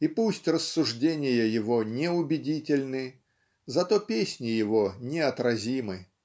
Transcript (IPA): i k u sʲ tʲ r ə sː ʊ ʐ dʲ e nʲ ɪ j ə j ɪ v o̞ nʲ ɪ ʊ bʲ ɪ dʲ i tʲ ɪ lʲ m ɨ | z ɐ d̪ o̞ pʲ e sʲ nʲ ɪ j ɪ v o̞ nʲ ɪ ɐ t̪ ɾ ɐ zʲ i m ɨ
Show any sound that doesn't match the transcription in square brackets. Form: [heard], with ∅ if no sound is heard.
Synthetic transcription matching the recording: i [p] u sʲ tʲ r ə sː ʊ ʐ dʲ e nʲ ɪ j ə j ɪ v o̞ nʲ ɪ ʊ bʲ ɪ dʲ i tʲ ɪ lʲ [n] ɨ | z ɐ [t̪] o̞ pʲ e sʲ nʲ ɪ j ɪ v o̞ nʲ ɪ ɐ t̪ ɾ ɐ zʲ i m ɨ